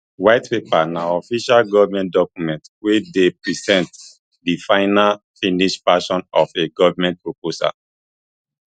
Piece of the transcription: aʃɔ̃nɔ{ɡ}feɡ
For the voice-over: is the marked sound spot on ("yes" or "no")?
no